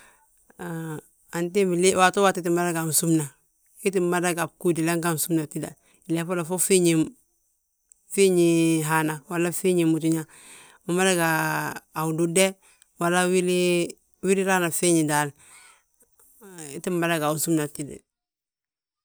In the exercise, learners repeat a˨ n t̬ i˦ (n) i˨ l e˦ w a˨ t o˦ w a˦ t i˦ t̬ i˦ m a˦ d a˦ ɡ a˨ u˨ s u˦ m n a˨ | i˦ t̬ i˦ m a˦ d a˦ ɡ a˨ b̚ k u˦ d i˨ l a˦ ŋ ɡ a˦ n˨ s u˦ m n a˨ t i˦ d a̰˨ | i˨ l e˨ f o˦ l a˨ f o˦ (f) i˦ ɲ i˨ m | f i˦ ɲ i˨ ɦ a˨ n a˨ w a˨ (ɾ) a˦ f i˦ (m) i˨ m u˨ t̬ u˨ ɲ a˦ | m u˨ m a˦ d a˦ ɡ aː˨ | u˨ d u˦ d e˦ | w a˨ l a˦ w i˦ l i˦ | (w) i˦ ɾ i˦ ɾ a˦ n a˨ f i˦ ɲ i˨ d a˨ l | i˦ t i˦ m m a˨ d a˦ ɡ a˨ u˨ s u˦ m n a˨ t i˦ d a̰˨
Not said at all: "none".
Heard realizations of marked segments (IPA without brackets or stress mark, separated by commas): m, f, l, ɲ, w